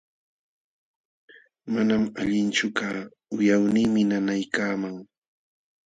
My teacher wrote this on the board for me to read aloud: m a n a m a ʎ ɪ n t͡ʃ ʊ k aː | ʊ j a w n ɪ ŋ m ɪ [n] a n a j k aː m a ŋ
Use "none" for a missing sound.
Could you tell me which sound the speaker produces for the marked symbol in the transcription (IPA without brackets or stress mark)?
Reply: n